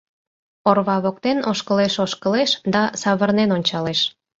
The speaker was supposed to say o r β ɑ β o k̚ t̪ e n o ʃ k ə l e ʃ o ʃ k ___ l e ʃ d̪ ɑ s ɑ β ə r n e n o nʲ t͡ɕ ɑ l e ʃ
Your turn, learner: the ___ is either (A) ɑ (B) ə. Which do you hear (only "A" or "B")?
B